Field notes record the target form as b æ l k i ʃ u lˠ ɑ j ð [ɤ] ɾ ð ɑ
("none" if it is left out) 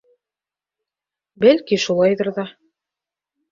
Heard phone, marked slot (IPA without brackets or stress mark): ɤ